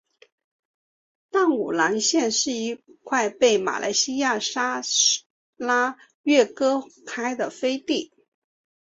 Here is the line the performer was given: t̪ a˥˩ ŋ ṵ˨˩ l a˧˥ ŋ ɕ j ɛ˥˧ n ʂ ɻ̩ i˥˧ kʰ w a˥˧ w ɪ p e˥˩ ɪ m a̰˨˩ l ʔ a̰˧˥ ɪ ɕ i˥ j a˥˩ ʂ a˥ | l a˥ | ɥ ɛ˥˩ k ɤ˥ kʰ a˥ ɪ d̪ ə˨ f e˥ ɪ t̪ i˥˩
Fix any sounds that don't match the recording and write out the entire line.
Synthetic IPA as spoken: t̪ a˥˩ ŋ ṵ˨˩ l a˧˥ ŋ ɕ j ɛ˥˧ n ʂ ɻ̩ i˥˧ kʰ w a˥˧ ɪ p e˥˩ ɪ m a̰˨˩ l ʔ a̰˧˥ ɪ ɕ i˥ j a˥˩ ʂ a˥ | l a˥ | ɥ ɛ˥˩ k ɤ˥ kʰ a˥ ɪ d̪ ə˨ f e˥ ɪ t̪ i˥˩